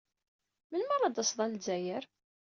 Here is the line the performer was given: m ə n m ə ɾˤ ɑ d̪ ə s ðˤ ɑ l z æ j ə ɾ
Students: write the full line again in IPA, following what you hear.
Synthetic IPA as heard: m ə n m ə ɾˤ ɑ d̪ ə s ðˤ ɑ l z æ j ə ɾ